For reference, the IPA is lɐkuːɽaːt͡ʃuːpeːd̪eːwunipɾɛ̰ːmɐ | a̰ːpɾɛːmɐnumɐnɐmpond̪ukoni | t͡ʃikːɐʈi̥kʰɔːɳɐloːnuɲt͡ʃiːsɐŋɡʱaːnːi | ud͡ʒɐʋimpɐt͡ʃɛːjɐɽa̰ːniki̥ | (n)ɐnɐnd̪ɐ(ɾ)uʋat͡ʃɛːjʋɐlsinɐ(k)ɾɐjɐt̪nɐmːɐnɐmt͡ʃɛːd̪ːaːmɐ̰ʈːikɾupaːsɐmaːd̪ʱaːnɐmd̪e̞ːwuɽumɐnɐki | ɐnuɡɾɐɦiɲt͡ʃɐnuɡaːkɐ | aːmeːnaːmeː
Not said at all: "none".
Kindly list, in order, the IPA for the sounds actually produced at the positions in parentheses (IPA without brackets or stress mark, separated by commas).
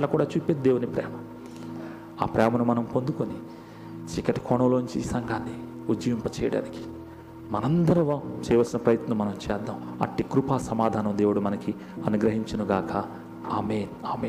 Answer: m, ɾ, p